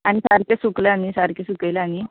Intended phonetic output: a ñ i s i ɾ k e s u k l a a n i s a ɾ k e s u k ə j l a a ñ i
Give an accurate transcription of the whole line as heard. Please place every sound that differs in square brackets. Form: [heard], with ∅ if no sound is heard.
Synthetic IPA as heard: a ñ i s [a] ɾ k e s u k l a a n i s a ɾ k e s u k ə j l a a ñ i